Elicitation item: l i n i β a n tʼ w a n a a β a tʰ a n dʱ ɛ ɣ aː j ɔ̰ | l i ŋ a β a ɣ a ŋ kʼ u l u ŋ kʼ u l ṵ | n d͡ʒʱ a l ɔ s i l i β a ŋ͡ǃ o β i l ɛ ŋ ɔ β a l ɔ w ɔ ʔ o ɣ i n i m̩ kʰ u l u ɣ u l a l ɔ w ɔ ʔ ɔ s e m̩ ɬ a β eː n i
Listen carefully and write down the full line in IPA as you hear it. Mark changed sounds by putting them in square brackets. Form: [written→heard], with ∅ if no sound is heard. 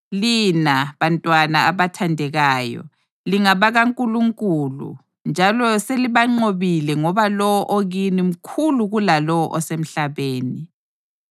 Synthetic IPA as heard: l i n [i→a] β a n tʼ w a n a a β a tʰ a n dʱ ɛ ɣ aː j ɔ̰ | l i ŋ a β a ɣ a ŋ kʼ u l u ŋ kʼ u l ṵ | n d͡ʒʱ a l ɔ s [i→e] l i β a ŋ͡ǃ o β i l ɛ ŋ ɔ β a l ɔ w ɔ ʔ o ɣ i n i m̩ kʰ u l u ɣ u l a l ɔ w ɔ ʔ ɔ s e m̩ ɬ a β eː n i